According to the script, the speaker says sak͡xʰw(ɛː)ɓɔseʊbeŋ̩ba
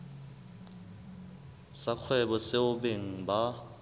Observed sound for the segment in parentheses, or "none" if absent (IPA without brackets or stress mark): ɛ